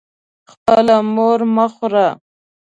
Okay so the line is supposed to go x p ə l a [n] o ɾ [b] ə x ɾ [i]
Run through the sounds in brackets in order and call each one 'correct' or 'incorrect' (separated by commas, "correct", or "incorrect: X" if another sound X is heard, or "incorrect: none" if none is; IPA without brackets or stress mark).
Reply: incorrect: m, incorrect: m, incorrect: a